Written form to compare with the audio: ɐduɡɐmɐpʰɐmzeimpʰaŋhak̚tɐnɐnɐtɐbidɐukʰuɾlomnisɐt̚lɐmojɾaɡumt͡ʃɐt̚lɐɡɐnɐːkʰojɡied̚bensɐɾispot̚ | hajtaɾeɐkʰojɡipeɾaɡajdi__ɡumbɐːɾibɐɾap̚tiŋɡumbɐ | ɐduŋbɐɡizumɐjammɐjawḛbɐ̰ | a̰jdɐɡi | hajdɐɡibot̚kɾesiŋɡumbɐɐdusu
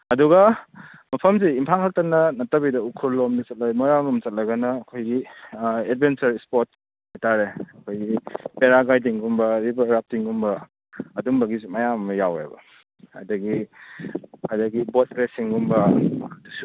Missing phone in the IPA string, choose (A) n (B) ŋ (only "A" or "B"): B